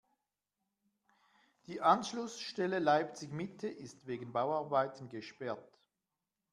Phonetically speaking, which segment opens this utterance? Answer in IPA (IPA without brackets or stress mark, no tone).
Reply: d̥